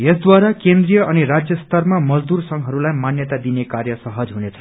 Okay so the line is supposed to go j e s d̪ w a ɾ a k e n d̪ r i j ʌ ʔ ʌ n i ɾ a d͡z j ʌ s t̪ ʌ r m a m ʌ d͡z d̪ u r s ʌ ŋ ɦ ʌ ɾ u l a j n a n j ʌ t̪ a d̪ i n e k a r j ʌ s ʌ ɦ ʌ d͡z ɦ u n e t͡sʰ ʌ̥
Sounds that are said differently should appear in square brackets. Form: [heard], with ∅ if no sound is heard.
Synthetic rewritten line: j e s d̪ w a ɾ a k e n d̪ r i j ʌ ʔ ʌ n i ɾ a d͡z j ʌ s t̪ ʌ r m a m ʌ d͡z d̪ u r s ʌ ŋ ɦ ʌ ɾ u l a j [m] a n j ʌ t̪ a d̪ i n e k a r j ʌ s ʌ ɦ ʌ d͡z ɦ u n e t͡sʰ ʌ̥